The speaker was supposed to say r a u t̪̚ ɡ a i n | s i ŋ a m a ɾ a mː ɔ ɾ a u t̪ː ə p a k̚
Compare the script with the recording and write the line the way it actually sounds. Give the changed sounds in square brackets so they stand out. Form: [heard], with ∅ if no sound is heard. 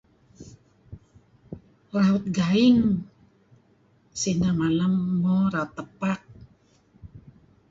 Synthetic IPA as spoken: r a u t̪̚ ɡ a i [ŋ] | s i [n] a m a [l] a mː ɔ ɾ a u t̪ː ə p a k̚